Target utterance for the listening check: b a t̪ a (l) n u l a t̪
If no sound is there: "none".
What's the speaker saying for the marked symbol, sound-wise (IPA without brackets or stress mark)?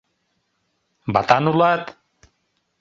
none